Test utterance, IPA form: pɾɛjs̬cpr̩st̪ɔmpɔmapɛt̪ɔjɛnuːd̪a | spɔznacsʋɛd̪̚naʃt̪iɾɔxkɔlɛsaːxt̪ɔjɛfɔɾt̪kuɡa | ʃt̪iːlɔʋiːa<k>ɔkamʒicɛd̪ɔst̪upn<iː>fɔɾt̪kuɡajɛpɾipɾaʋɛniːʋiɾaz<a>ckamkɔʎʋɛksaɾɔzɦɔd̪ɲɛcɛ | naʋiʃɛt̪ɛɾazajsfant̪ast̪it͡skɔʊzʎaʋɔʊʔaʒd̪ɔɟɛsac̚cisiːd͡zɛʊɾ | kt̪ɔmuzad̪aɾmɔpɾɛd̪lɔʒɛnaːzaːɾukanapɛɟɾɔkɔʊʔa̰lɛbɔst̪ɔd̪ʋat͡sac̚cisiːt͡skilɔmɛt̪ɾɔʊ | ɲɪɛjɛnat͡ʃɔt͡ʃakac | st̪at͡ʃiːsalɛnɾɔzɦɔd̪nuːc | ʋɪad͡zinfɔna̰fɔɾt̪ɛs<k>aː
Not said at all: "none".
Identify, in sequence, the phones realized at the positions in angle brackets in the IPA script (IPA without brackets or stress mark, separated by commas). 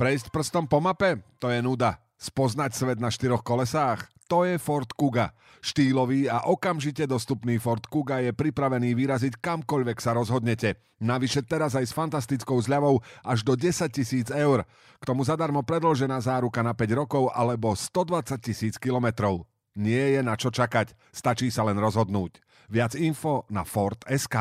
ʔ, iː, i, k